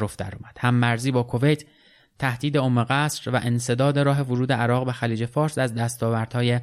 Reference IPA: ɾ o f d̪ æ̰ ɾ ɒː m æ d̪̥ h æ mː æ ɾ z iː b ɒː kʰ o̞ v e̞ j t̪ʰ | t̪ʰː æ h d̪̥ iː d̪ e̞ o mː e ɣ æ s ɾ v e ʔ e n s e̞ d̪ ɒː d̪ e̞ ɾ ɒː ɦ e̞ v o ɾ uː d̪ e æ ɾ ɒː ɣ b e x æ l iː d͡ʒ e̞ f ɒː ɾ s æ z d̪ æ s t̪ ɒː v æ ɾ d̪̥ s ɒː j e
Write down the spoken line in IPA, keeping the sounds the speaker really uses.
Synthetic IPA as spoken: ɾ o f d̪ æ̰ ɾ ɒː m æ d̪̥ h æ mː æ ɾ z iː b ɒː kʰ o̞ v e̞ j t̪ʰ | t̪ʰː æ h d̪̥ iː d̪ e̞ o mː e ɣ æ s ɾ v æ ʔ e n s e̞ d̪ ɒː d̪ e̞ ɾ ɒː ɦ e̞ v o ɾ uː d̪ e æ ɾ ɒː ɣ b e x æ l iː d͡ʒ e̞ f ɒː ɾ s æ z d̪ æ s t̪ ɒː v æ ɾ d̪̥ h ɒː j e